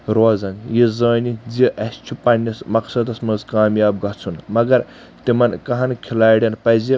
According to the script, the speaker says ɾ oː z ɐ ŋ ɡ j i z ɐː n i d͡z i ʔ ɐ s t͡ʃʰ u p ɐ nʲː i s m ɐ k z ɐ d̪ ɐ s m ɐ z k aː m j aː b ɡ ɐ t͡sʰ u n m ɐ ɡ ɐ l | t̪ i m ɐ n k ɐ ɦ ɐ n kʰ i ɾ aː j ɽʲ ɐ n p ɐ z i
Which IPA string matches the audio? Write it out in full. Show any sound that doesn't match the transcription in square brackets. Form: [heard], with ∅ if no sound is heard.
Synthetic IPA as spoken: ɾ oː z ɐ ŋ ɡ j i z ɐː n i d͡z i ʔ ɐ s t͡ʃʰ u p ɐ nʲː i s m ɐ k [s] ɐ d̪ ɐ s m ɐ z k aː m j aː b ɡ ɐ t͡sʰ u n m ɐ ɡ ɐ [ɾ] | t̪ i m ɐ n k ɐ ɦ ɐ n kʰ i [l] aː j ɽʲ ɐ n p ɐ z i